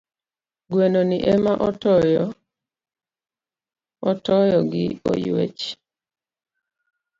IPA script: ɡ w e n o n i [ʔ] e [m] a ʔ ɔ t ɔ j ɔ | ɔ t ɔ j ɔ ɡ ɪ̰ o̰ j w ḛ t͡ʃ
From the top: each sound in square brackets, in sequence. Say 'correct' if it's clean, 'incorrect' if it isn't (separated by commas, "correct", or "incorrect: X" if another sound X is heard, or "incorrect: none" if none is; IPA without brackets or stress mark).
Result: correct, correct